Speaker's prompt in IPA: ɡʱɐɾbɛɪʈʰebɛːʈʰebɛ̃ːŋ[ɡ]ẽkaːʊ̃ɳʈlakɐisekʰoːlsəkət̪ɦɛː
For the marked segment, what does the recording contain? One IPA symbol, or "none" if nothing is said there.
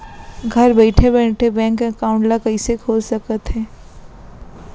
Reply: k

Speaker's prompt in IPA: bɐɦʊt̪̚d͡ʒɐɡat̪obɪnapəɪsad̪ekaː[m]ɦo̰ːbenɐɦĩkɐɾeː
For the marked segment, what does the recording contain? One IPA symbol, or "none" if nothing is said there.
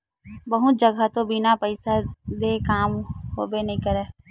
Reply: m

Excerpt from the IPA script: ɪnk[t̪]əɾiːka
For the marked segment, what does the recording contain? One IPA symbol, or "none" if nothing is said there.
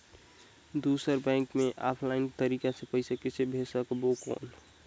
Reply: t̪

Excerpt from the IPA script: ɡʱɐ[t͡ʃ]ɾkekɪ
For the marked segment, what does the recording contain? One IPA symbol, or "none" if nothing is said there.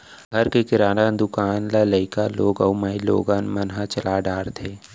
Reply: none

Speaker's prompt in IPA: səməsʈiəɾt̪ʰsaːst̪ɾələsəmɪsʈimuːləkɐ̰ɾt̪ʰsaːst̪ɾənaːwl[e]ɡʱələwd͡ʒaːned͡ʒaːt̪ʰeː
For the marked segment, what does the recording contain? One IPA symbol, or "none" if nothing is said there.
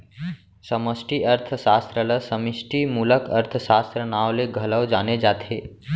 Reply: e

